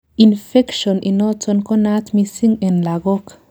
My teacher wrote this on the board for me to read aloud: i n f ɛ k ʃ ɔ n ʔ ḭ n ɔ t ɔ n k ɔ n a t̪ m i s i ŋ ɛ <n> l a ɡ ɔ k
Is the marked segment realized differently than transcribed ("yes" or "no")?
no